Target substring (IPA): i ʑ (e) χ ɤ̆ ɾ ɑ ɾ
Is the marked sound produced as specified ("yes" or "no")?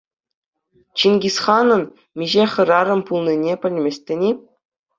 yes